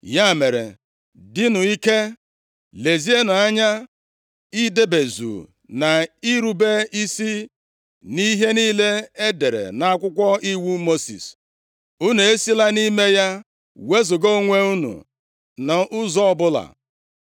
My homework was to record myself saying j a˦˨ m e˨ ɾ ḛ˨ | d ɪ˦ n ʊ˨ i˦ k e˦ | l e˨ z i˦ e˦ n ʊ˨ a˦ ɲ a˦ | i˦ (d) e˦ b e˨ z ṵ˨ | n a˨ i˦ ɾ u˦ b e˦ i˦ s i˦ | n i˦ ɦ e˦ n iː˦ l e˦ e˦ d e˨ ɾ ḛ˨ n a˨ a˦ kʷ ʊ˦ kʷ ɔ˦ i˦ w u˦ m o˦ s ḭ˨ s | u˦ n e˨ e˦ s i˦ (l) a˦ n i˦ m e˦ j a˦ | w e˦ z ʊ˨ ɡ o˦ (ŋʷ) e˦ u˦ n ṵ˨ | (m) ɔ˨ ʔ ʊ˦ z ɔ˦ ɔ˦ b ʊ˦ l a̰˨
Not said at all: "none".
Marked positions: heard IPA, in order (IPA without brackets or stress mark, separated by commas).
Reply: d, l, ŋʷ, n